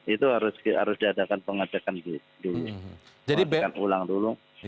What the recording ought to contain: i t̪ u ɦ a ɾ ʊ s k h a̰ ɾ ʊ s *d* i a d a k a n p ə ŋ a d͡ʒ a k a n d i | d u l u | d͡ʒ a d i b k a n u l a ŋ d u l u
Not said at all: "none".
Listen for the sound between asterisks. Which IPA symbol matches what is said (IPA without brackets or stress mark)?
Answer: d